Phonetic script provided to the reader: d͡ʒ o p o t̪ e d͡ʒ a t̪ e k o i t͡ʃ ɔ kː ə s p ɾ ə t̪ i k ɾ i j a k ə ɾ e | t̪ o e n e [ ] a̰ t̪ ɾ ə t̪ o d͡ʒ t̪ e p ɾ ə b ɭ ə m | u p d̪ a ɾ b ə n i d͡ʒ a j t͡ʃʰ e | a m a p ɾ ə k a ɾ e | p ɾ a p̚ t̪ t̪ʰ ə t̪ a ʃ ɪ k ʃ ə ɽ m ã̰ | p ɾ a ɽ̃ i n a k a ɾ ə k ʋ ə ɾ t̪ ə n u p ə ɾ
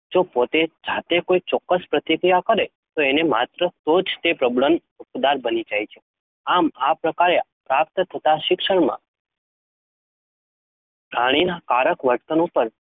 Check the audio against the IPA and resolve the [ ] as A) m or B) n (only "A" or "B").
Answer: A